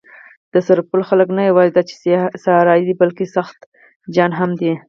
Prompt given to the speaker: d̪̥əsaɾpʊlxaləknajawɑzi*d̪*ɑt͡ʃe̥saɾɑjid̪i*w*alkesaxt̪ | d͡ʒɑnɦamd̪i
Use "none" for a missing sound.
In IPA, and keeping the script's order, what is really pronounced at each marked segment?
d̪, b

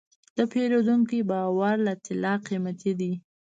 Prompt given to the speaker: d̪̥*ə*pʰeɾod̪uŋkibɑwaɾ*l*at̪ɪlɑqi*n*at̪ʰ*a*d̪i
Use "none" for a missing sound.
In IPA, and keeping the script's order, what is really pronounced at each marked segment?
ə, l, m, i

